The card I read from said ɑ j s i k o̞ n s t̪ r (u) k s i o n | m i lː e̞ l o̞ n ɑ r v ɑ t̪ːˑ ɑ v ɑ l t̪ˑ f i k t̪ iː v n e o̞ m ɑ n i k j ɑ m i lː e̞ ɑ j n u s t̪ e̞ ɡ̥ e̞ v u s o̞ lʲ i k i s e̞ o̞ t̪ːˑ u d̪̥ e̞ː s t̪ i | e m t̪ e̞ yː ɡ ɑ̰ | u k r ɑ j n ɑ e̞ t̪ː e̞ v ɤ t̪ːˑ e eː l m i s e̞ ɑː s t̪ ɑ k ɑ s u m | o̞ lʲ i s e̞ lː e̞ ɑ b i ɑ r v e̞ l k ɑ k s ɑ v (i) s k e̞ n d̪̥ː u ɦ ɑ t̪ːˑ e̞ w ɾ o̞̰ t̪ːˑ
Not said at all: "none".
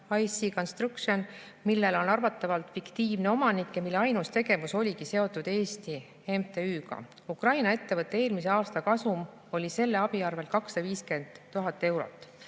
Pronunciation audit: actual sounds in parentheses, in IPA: u, iː

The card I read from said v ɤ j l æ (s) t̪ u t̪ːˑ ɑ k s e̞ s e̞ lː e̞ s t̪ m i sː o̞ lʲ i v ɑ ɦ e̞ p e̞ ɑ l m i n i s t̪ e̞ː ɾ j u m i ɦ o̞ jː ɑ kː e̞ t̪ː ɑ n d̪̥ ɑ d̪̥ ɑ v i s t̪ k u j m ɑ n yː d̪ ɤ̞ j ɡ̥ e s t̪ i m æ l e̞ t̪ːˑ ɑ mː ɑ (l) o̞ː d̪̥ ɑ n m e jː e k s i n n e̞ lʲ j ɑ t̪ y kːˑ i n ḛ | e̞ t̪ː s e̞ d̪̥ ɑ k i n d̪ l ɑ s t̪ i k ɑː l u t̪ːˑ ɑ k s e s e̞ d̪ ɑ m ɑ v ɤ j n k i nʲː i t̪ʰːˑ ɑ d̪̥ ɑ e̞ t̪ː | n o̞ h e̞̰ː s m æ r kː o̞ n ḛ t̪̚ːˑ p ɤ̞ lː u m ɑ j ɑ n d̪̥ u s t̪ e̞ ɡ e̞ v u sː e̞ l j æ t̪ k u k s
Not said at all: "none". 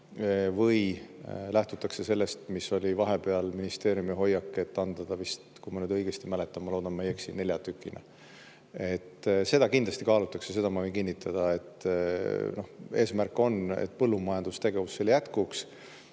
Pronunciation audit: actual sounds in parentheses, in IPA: h, l

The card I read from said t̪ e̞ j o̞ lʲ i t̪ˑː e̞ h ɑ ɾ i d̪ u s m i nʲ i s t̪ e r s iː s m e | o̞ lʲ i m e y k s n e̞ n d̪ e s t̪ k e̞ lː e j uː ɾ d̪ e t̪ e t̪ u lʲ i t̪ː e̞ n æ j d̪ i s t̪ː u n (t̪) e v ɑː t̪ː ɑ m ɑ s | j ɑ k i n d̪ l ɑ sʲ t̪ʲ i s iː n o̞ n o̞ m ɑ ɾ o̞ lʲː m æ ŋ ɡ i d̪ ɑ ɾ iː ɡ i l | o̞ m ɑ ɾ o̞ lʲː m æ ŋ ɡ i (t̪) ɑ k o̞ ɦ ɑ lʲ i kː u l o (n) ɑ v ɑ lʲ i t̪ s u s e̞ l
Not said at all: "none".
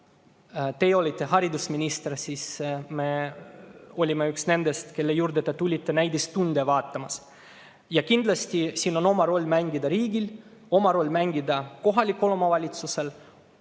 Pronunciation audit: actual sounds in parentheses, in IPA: d̪, d̪, m

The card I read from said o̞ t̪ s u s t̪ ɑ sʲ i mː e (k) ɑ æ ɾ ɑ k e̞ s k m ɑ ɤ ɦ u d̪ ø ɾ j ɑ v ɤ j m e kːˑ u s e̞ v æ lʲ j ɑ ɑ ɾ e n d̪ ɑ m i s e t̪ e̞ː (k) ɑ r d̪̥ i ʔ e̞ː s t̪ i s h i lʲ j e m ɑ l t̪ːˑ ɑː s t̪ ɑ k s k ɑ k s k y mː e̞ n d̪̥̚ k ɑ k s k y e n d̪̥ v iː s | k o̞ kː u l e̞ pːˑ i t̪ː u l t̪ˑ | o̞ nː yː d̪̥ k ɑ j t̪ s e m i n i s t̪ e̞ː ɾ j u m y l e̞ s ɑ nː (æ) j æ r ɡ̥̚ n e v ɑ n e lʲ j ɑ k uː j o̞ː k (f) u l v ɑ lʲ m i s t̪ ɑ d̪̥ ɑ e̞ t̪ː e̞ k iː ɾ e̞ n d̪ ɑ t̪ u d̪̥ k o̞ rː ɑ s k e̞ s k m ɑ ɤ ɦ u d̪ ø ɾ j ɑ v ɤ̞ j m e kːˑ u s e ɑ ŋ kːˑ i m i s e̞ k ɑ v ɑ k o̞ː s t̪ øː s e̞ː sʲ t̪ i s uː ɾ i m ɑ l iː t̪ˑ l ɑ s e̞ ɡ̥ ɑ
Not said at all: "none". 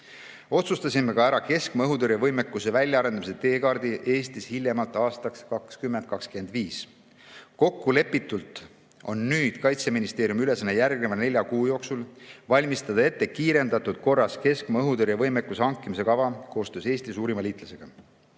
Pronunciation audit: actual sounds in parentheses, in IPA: k, k, e, s

